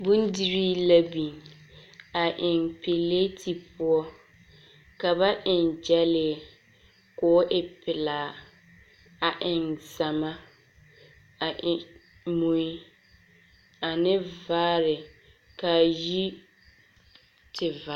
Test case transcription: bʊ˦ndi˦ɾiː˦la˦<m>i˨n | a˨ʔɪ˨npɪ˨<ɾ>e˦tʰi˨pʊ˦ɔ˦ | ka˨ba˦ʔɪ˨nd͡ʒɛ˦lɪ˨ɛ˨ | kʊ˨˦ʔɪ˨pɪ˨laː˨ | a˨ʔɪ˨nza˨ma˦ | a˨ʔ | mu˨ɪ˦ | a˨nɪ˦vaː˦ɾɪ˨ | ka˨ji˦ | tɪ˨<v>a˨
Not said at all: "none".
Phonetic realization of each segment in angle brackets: b, l, v

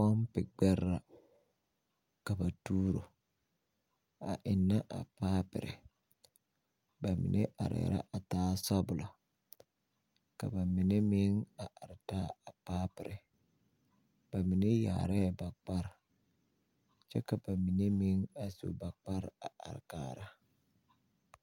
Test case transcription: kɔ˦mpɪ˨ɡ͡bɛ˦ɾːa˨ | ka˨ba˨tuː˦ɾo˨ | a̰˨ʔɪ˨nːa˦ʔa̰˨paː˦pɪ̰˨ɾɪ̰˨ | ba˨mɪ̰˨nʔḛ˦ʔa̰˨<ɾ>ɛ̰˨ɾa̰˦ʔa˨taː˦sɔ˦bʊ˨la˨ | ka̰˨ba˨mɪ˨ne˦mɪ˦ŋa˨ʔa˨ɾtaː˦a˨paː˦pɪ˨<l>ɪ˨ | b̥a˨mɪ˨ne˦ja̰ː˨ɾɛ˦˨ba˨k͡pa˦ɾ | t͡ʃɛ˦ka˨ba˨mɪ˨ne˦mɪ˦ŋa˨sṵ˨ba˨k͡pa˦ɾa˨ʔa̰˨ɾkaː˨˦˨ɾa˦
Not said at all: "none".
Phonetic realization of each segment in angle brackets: ɾ, ɾ

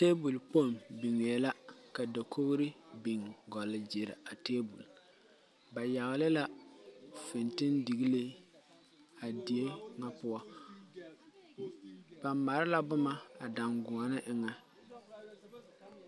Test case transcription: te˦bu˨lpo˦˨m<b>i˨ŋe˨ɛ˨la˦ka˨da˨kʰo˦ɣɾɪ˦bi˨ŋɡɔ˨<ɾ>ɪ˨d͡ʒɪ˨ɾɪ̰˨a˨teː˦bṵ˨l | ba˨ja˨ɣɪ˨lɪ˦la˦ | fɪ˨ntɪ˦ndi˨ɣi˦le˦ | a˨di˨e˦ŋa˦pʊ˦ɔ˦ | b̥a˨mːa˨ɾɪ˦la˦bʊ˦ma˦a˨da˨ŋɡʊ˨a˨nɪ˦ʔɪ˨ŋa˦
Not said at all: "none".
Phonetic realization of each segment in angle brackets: b, l

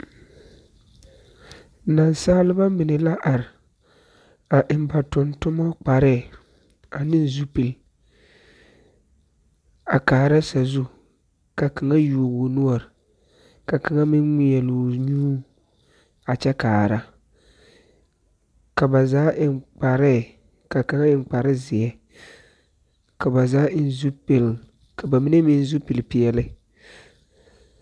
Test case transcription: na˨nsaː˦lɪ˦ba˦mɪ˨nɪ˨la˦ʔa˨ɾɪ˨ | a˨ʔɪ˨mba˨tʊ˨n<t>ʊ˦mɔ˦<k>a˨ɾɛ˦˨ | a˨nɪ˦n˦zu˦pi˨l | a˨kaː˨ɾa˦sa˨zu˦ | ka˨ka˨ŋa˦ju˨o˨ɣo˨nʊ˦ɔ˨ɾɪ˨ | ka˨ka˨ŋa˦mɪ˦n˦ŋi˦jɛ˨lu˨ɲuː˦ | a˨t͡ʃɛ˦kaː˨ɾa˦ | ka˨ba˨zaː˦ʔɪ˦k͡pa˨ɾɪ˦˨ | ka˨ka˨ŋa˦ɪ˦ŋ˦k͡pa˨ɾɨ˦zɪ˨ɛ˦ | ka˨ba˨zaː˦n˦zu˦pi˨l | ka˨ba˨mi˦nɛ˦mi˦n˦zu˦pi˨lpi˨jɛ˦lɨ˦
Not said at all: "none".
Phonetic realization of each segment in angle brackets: t, k͡p

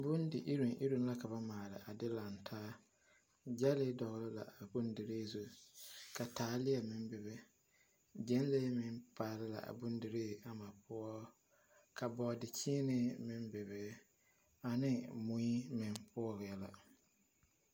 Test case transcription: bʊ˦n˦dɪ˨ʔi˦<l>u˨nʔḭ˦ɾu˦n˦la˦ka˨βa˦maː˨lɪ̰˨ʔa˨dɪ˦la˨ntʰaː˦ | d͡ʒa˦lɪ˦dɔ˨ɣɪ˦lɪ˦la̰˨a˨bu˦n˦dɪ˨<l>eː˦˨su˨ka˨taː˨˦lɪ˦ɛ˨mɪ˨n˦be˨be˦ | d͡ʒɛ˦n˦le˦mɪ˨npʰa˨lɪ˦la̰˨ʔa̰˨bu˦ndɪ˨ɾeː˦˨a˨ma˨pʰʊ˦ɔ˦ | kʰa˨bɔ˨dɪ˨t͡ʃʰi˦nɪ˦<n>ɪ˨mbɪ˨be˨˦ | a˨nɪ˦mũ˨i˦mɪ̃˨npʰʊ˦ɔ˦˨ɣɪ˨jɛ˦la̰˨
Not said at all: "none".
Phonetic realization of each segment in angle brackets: ɾ, ɾ, m

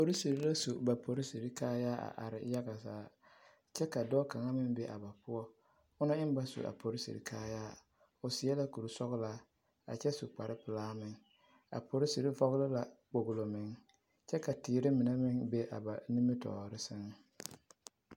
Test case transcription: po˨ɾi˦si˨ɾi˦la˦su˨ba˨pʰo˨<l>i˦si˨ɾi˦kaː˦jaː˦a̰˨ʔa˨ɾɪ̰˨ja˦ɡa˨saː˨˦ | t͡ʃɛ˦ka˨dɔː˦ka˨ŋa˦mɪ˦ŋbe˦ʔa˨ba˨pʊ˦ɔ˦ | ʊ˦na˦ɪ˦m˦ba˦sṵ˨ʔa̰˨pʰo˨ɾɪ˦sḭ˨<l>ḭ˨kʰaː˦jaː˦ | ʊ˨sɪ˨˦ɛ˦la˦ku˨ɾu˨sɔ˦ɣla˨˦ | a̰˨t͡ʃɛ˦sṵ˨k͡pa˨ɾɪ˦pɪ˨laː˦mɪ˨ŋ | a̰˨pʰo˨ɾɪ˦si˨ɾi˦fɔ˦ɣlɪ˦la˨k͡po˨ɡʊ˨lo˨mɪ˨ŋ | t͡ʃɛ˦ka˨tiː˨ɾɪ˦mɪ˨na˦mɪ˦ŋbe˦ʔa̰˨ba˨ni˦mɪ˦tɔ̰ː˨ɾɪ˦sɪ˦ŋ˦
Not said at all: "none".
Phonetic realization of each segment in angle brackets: ɾ, ɾ

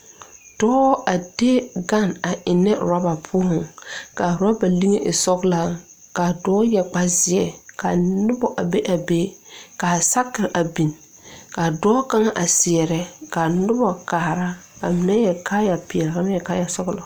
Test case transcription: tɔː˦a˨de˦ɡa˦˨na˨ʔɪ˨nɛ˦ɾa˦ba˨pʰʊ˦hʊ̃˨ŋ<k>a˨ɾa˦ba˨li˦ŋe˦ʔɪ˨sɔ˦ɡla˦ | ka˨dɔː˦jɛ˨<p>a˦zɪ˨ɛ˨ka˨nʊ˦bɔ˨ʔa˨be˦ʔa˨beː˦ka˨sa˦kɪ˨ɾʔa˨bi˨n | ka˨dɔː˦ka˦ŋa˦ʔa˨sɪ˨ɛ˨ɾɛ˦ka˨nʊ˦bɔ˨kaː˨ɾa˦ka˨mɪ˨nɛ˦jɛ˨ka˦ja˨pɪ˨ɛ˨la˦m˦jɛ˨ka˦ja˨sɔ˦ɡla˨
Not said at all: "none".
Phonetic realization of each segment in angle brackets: k, k͡p

